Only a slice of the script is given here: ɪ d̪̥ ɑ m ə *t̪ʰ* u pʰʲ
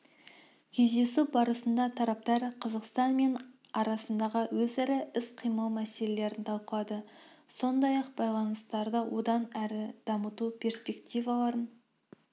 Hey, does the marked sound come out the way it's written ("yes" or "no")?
no